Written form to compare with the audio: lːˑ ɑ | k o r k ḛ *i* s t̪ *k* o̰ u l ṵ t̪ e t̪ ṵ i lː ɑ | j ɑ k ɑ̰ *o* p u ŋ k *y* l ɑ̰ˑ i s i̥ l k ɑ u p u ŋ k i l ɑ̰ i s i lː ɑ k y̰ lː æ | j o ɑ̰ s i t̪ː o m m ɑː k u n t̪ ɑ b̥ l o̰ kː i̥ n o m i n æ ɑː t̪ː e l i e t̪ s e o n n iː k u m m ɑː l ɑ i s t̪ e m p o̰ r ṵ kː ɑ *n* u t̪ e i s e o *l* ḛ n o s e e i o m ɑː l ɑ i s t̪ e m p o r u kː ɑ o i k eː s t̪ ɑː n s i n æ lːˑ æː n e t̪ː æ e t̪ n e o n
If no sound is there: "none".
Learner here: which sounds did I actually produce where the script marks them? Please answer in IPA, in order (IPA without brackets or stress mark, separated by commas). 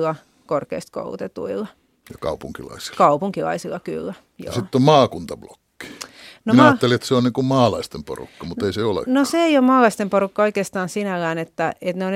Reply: i, k, u, i, m, l